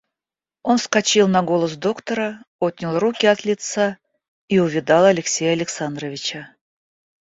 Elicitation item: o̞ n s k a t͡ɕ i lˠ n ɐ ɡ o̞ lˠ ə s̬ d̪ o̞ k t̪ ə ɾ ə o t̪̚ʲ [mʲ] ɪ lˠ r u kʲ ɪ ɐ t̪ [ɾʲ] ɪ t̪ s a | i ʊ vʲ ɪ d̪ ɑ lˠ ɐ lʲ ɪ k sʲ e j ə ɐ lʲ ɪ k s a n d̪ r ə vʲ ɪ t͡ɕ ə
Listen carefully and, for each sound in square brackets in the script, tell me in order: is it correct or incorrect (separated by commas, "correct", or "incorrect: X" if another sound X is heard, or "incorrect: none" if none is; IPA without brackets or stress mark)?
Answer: incorrect: nʲ, incorrect: lʲ